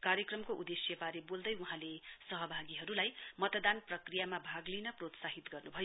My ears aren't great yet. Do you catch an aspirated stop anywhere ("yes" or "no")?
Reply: no